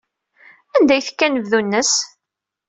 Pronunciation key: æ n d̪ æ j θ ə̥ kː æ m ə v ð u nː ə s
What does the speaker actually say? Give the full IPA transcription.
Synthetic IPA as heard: æ n d̪ æ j θ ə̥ kː æ n ə v ð u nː ə s

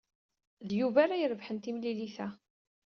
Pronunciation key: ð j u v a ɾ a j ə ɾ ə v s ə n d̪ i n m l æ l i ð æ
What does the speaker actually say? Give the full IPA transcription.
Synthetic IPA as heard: ð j u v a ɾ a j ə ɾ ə v ħ ə n t̪ i m l i l i θ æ

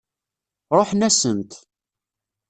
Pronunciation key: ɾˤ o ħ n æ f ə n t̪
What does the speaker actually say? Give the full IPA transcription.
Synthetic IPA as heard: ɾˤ o ħ n æ s ə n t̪

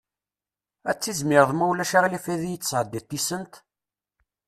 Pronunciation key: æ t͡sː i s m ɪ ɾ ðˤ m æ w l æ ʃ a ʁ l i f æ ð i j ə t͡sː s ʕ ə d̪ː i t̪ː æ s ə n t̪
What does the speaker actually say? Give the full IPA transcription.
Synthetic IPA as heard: æ t͡sː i z m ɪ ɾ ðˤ m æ w l æ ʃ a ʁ l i f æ ð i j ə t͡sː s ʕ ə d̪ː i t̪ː i s ə n t̪

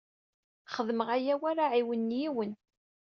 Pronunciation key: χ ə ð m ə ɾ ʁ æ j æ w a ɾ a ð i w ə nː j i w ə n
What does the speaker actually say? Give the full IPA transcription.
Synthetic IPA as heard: χ ə ð m ə ʁ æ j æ w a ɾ a ʕ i w ə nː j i w ə n

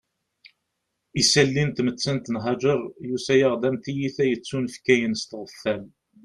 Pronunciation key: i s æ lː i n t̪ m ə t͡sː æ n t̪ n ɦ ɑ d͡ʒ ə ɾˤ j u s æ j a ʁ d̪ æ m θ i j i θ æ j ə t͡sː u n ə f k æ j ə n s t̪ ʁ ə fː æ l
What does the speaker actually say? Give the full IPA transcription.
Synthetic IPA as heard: i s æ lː i n t̪ m ə t͡sː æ n t̪ n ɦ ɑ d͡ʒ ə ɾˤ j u s æ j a ʁ d̪ æ m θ i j i θ æ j ə t͡sː u n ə f k æ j ə n s t̪ ʁ ə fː æ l

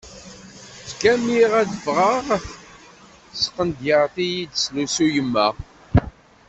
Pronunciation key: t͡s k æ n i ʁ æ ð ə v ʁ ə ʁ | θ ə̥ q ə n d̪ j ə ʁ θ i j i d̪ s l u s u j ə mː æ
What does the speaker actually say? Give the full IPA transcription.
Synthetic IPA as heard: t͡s k æ m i ʁ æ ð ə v ʁ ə ʁ | s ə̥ q ə n d̪ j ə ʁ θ i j i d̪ s l u s u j ə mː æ

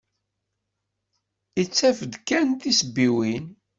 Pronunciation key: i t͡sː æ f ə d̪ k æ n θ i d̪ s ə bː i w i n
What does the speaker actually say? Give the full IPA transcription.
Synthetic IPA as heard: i t͡sː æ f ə d̪ k æ n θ i s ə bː i w i n

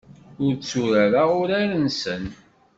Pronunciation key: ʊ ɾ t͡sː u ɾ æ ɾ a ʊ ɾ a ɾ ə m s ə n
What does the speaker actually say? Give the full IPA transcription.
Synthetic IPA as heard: ʊ ɾ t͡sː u ɾ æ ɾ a ʊ ɾ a ɾ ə n s ə n

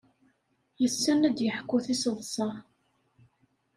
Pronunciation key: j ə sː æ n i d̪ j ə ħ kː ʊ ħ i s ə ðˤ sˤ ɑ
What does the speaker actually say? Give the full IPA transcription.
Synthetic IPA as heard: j ə sː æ n æ d̪ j ə ħ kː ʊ θ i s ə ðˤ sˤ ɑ

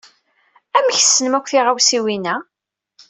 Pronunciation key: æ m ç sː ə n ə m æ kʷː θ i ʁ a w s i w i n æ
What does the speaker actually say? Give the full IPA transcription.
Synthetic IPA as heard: æ m ç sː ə n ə m æ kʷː θ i ʁ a w s i w i n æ

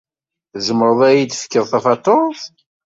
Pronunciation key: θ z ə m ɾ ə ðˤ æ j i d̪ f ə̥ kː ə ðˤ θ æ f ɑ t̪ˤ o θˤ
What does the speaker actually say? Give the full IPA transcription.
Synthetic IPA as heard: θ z ə m ɾ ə ðˤ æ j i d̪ f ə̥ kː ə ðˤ θ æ f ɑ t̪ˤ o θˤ

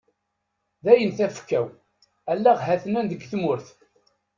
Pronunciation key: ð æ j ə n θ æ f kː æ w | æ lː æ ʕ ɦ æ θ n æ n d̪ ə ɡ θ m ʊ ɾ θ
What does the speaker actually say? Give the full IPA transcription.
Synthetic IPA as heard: ð æ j ə n θ æ f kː æ w | æ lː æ ʁ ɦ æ θ n æ n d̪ ə ɡ θ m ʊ ɾ θ

